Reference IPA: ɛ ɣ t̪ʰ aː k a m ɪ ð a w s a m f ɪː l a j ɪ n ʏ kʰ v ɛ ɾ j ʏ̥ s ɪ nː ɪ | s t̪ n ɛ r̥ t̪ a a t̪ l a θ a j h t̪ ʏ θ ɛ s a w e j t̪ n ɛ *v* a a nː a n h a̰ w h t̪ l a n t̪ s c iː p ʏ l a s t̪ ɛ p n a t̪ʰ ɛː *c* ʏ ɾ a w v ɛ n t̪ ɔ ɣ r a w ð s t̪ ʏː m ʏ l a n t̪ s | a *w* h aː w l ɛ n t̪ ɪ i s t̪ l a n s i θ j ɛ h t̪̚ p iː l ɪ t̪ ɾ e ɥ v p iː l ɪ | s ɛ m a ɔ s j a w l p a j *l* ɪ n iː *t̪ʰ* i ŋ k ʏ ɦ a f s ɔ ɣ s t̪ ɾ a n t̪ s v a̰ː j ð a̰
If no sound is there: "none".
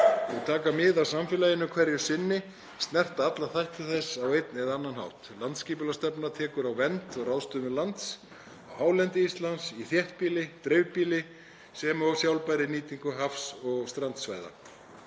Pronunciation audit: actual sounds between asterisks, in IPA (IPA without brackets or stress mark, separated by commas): ð, k, w, ɾ, t̪